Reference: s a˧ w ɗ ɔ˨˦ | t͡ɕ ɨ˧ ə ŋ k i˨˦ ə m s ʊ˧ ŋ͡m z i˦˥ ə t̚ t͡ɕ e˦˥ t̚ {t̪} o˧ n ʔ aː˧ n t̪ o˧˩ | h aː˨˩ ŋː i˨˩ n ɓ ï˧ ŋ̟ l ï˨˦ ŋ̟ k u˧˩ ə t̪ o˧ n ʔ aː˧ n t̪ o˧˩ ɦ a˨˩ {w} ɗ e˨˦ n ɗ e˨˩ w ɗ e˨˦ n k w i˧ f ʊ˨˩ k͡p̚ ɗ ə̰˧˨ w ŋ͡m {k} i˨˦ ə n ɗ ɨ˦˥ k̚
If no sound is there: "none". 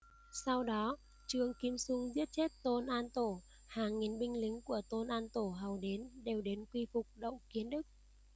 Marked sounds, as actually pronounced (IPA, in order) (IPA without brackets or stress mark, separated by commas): t̪, w, k